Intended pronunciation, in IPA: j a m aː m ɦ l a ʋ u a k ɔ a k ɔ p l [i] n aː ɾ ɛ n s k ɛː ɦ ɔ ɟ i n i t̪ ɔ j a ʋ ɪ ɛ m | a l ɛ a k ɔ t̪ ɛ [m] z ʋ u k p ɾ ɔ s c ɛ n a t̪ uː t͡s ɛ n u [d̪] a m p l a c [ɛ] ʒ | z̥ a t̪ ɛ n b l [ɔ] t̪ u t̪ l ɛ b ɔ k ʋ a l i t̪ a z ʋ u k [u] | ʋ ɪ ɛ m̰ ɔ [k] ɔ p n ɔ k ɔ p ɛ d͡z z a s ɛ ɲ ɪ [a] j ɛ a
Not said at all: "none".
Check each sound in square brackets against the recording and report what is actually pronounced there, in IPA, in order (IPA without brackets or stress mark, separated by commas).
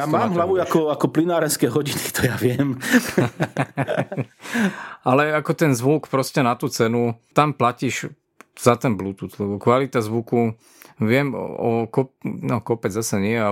i, n, t̪, i, u, u, k, ɛ